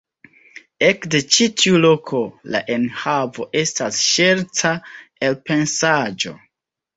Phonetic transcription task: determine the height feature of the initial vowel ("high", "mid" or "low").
mid